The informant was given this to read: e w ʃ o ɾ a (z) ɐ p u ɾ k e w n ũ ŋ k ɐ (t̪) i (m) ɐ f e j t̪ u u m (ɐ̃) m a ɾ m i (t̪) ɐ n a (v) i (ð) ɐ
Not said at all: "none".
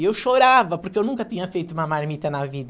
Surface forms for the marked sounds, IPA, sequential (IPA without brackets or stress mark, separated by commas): v, t̪, ɲ, ɐ, t̪, v, ð